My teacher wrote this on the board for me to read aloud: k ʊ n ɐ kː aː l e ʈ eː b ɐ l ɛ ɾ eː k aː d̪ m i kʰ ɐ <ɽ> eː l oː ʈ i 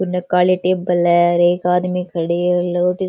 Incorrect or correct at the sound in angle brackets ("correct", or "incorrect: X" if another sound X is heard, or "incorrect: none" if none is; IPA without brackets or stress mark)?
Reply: correct